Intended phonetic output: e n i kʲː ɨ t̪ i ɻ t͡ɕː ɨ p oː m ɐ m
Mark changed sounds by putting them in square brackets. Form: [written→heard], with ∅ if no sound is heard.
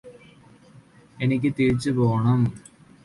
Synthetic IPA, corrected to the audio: e n i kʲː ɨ t̪ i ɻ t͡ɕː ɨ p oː [m→ɳ] ɐ m